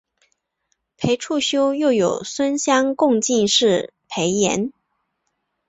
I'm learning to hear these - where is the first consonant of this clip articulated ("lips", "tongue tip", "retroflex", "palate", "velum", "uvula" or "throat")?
lips